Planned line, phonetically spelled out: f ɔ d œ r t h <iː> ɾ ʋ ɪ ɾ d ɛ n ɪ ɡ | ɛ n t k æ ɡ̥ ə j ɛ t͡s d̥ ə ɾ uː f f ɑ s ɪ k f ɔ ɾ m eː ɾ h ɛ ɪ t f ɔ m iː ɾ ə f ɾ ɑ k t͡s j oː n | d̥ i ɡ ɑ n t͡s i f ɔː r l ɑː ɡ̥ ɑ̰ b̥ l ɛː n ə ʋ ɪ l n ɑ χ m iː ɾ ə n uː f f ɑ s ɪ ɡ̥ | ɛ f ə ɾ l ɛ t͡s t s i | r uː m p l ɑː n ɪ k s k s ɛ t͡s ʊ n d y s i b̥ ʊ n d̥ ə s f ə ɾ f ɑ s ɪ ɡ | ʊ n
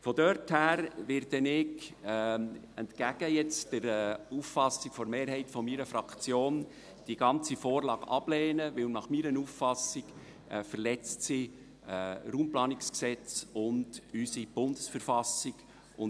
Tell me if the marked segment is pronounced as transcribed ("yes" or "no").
no